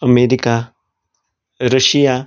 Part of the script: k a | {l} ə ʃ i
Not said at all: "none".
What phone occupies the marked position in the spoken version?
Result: ɾ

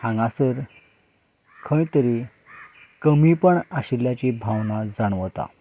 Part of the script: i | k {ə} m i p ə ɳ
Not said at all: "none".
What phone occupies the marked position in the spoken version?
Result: ə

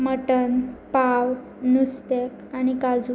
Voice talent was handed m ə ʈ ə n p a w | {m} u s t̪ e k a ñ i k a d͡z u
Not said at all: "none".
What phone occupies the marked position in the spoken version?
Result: n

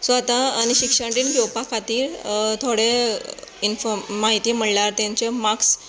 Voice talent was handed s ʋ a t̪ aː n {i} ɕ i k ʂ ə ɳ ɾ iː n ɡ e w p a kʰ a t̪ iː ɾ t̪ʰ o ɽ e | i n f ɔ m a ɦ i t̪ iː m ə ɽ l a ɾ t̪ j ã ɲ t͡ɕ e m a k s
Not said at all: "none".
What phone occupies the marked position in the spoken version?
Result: i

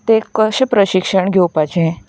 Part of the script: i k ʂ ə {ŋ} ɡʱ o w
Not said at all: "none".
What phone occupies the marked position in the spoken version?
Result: ɳ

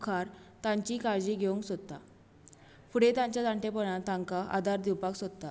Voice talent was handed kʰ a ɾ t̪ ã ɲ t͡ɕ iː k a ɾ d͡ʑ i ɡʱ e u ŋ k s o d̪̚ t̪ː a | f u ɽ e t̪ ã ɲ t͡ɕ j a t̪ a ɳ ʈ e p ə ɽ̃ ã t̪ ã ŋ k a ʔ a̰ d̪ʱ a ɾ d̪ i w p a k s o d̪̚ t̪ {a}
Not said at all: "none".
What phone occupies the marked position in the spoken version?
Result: a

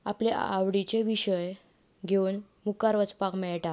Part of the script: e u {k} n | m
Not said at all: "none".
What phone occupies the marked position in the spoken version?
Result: none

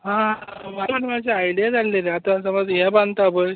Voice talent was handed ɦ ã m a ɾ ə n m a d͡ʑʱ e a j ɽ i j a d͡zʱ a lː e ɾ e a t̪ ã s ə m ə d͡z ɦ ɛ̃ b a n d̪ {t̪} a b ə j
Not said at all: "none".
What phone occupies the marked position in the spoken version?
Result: t̪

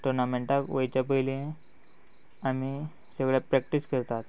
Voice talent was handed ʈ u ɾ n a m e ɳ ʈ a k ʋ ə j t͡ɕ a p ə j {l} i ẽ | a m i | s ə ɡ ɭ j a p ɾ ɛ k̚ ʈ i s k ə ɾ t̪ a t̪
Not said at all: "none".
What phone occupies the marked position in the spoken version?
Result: l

